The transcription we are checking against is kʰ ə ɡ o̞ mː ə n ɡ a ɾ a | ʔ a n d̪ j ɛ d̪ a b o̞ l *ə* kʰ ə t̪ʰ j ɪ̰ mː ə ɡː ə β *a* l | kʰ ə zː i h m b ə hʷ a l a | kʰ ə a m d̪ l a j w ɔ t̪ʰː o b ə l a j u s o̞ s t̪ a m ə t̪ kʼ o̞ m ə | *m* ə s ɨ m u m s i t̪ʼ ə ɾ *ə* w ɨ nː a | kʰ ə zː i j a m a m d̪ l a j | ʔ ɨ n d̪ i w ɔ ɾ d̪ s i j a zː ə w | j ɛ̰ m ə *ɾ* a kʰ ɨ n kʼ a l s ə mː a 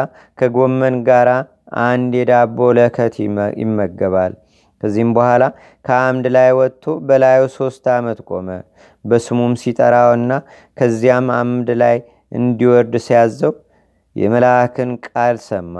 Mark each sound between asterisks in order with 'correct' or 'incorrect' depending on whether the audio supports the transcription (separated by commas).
correct, correct, incorrect, incorrect, incorrect